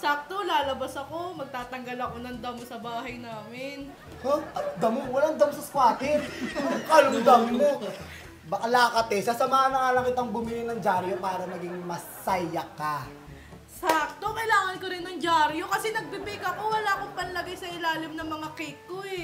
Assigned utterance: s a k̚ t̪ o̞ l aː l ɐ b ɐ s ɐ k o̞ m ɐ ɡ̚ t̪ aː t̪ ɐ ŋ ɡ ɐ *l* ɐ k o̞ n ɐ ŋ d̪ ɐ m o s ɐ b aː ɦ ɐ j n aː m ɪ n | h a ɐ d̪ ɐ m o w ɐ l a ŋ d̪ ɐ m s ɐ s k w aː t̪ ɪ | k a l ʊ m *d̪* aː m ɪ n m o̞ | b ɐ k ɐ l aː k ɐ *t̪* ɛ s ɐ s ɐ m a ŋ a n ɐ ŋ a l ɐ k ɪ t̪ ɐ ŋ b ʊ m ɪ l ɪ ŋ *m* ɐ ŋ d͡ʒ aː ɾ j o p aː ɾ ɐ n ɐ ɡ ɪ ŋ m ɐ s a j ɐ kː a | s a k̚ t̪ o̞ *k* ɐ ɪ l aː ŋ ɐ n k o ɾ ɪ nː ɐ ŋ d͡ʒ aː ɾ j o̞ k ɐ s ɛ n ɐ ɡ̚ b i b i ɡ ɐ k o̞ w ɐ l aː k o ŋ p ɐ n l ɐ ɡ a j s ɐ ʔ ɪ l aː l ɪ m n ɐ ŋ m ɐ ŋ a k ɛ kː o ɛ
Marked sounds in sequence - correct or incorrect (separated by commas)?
correct, correct, correct, incorrect, correct